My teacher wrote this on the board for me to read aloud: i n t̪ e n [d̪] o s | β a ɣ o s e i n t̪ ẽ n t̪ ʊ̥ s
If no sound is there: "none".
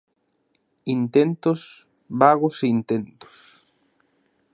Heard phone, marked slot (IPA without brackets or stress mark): t̪